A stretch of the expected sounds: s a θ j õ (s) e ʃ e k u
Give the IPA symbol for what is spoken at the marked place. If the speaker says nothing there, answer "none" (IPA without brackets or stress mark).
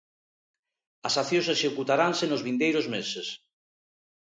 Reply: s